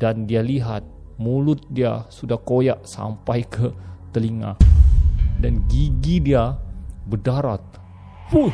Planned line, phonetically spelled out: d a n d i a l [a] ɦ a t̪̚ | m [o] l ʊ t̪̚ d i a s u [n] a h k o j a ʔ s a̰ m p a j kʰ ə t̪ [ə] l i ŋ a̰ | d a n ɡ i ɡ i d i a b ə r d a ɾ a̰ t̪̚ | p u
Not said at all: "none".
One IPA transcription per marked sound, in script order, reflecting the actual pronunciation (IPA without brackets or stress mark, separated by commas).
i, u, d, ə